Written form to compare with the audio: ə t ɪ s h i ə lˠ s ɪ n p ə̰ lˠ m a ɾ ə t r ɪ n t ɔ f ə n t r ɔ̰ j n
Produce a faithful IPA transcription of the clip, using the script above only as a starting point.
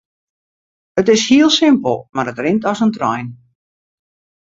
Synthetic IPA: ə t ɪ s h i ə lˠ s ɪ m p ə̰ lˠ m a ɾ ə t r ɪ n t ɔ s ə n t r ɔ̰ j n